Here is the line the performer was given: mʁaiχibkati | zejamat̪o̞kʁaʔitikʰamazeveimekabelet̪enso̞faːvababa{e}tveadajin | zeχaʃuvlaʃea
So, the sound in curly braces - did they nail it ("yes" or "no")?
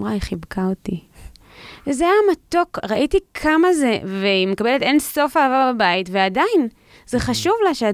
no